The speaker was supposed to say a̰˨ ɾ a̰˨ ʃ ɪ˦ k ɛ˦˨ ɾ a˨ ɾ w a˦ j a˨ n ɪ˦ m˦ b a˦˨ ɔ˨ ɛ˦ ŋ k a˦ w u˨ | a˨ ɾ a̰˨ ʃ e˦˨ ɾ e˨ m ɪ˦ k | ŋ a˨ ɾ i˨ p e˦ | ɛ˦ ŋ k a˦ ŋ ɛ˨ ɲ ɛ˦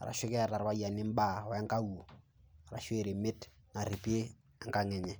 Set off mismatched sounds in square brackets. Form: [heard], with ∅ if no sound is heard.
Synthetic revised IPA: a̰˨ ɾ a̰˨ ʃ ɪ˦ k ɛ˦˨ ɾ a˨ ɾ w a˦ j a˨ n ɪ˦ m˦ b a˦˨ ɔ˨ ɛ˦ ŋ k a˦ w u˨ | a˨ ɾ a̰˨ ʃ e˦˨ ɾ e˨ m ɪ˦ [t] | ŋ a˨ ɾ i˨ p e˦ | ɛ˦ ŋ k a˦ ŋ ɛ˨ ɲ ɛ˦